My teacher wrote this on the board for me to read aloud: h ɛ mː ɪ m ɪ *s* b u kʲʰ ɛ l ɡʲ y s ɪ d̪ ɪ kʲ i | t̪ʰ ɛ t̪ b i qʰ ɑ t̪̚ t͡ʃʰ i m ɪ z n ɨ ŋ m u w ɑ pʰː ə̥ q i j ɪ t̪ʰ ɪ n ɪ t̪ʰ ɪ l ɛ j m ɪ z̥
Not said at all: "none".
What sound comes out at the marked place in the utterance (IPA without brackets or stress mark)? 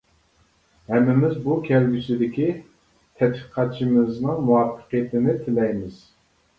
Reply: z